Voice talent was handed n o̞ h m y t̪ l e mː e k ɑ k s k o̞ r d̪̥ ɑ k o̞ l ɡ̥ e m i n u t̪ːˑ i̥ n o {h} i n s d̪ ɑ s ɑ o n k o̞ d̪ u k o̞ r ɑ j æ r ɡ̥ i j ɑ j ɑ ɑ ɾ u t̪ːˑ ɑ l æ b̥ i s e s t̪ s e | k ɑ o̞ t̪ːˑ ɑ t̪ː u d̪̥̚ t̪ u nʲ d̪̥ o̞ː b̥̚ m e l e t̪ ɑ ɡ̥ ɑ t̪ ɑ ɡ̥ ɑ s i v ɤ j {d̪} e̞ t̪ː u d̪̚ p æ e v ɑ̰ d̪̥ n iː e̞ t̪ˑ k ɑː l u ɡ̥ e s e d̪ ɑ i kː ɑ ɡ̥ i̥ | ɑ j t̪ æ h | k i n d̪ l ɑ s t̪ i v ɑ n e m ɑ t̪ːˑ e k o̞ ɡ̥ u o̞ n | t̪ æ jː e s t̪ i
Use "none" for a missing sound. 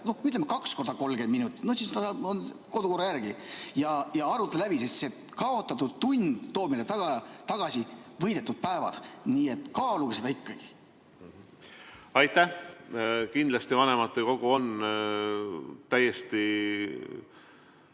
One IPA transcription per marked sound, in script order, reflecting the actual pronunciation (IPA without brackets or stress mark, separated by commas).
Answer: s, d̪